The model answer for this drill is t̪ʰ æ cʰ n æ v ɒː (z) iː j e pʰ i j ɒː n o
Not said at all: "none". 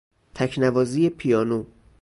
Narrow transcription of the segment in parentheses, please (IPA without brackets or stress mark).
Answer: z